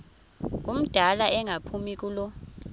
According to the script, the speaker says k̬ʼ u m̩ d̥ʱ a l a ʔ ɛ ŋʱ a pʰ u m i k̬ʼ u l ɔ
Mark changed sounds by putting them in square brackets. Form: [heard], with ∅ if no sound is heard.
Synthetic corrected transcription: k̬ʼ u m̩ d̥ʱ a l a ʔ ɛ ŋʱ a pʰ u m i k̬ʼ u l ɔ